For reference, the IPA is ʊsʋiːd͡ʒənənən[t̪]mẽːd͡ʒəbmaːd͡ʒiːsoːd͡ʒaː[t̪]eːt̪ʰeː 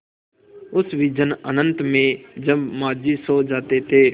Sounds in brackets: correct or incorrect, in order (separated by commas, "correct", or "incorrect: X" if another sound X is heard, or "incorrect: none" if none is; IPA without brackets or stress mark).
correct, correct